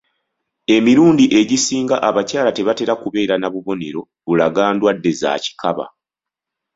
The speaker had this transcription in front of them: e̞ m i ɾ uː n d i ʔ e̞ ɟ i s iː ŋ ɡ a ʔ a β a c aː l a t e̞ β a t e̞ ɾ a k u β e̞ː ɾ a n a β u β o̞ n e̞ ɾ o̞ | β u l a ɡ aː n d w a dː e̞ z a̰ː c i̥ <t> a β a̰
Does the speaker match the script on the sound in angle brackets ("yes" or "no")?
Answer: no